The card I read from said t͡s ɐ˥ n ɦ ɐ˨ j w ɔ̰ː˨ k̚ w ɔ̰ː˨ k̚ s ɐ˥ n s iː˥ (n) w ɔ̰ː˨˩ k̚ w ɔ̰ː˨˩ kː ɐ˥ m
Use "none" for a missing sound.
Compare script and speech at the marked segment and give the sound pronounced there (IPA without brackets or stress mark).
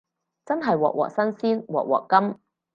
n